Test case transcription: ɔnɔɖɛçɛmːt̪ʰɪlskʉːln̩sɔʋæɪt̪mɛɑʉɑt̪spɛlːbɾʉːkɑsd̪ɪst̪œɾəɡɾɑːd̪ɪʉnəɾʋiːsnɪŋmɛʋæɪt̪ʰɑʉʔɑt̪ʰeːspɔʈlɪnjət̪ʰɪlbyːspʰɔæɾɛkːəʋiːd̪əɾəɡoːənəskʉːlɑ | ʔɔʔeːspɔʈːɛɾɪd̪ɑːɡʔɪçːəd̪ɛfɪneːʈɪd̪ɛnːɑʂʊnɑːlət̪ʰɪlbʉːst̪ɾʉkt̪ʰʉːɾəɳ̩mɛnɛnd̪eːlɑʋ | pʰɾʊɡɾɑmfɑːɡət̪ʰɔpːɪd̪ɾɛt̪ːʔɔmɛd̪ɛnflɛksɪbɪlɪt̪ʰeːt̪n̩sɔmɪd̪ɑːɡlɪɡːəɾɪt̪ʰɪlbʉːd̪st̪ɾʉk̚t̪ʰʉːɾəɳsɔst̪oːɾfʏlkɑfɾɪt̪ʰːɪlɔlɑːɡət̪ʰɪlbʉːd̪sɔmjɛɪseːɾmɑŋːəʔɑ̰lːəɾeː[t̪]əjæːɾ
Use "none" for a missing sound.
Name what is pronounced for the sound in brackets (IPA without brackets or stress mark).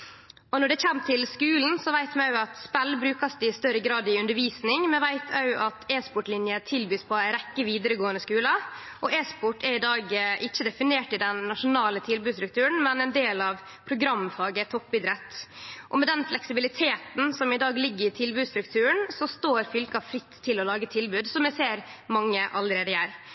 d̪